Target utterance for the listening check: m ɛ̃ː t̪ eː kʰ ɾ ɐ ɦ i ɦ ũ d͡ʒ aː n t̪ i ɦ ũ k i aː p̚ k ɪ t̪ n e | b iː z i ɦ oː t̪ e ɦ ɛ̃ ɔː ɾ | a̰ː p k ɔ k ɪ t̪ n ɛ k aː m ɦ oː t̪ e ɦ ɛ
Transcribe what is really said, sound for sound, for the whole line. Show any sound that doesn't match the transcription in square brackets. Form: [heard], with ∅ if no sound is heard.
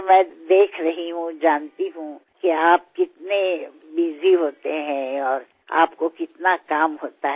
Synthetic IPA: m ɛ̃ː [d̪] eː kʰ ɾ ɐ ɦ i ɦ ũ d͡ʒ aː n t̪ i ɦ ũ k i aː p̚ k ɪ t̪ n e | b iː z i ɦ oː t̪ e ɦ ɛ̃ ɔː ɾ | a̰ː p k [o] k ɪ t̪ n [a] k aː m ɦ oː t̪ [a] ɦ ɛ